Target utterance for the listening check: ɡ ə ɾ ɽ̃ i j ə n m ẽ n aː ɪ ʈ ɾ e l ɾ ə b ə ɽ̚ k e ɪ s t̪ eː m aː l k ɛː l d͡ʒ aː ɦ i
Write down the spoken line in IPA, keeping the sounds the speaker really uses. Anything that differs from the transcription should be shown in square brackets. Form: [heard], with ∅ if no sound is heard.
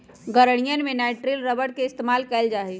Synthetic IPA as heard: ɡ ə ɾ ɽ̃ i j ə n m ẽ n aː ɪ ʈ ɾ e l ɾ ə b ə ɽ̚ k e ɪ s t̪ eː m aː l k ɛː l d͡ʒ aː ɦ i